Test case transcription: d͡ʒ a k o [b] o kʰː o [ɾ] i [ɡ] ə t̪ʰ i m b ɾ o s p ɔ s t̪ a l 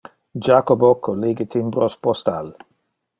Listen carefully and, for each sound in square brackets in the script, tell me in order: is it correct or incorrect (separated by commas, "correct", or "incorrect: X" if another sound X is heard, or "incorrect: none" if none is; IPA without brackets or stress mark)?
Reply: correct, incorrect: l, correct